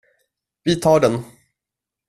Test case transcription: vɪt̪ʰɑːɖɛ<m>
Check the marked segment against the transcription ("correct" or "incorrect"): incorrect